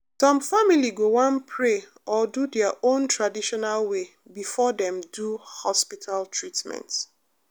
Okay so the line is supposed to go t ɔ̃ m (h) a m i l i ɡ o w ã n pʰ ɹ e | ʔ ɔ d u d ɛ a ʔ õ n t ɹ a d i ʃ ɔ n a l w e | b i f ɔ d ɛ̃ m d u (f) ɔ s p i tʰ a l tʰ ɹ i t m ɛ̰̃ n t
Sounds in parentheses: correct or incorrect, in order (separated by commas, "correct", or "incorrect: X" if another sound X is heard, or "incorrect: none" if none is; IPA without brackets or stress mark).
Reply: incorrect: f, incorrect: h